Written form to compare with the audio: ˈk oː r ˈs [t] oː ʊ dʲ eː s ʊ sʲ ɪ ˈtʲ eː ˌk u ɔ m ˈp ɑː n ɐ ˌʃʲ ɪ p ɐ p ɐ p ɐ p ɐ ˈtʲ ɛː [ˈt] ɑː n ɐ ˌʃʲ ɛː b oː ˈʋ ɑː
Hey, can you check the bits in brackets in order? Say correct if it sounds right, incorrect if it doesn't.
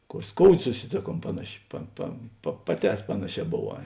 incorrect, incorrect

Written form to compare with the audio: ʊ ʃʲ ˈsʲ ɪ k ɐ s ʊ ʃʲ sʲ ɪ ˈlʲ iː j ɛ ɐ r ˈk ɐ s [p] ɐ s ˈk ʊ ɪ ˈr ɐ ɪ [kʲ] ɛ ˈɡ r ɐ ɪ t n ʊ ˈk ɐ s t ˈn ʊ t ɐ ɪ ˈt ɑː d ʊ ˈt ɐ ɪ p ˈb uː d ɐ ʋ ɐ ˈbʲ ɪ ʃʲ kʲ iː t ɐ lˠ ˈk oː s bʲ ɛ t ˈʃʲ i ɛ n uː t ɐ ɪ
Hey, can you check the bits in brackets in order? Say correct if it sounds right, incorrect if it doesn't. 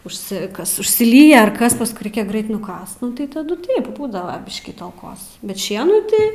correct, correct

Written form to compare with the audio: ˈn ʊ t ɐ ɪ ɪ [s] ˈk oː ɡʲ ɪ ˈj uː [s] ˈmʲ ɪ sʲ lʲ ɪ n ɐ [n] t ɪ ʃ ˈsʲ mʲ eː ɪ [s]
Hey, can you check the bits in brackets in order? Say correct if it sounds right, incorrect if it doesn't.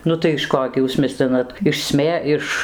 incorrect, correct, incorrect, incorrect

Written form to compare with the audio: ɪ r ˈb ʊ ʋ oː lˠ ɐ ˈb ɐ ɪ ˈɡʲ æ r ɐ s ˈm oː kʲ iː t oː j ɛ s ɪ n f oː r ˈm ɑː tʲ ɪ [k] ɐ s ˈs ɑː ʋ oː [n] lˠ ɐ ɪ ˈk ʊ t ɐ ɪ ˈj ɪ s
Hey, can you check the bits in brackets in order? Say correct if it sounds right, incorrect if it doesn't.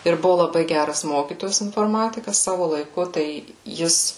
correct, incorrect

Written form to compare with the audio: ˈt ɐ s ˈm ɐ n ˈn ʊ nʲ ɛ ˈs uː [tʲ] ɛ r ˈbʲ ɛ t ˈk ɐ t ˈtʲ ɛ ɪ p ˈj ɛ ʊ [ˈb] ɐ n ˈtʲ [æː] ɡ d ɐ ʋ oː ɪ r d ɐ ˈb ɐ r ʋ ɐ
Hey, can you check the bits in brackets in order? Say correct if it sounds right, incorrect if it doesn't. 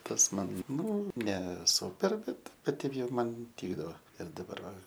incorrect, incorrect, incorrect

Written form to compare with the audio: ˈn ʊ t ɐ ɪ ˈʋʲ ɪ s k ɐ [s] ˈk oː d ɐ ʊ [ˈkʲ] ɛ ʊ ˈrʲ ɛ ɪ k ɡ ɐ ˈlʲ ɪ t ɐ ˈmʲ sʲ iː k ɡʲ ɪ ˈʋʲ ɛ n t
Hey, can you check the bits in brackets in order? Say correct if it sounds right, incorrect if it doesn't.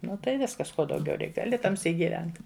correct, incorrect

